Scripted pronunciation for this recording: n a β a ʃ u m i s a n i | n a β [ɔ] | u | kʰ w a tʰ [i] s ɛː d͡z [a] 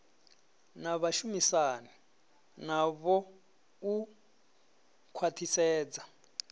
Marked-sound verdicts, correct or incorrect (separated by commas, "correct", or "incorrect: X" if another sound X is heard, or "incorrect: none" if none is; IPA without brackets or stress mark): correct, correct, correct